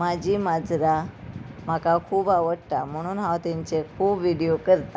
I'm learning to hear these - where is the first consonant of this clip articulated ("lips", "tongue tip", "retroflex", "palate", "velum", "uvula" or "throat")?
lips